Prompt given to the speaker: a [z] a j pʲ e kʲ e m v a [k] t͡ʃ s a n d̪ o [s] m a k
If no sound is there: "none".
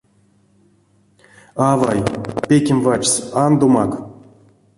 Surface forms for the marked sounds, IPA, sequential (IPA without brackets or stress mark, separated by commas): v, none, none